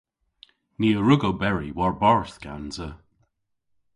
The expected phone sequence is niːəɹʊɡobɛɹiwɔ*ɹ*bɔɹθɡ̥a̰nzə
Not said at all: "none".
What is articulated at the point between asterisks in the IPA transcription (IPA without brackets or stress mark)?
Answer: ɹ